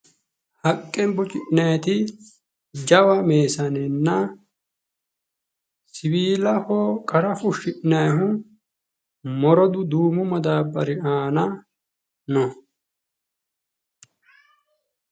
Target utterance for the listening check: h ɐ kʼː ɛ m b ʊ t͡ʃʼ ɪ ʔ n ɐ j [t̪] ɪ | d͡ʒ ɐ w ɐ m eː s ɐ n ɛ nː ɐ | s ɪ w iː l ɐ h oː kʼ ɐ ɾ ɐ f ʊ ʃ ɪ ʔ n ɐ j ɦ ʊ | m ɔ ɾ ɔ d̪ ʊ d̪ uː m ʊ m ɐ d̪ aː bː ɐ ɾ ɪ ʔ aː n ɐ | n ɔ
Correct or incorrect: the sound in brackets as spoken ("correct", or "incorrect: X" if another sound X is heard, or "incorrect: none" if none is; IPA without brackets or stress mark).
correct